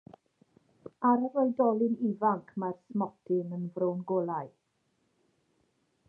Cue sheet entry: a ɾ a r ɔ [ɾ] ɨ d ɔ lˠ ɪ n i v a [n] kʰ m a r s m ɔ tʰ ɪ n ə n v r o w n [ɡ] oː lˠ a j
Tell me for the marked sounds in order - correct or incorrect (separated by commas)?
incorrect, incorrect, correct